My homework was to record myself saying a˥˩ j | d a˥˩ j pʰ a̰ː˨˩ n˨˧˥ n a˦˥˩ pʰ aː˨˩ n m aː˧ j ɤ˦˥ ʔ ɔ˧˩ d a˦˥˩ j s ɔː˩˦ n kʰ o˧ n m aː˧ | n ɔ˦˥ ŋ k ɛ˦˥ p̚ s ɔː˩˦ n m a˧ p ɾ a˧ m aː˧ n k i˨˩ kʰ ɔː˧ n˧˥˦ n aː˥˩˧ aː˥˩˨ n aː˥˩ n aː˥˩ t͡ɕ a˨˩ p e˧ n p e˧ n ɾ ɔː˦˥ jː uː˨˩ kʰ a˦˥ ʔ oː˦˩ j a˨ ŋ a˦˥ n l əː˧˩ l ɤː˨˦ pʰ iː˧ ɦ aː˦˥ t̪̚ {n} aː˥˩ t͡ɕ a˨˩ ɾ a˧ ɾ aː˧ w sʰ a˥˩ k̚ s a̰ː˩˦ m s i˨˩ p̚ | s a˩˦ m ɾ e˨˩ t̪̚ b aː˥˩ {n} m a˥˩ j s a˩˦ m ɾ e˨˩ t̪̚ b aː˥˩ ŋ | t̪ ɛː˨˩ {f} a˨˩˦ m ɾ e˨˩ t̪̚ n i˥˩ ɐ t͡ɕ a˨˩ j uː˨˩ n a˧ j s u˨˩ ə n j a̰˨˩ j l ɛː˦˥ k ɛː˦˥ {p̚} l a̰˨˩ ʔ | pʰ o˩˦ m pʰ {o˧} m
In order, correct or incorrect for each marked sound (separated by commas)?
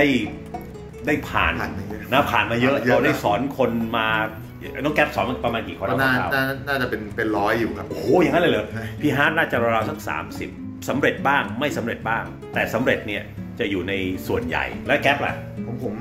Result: correct, incorrect, incorrect, correct, incorrect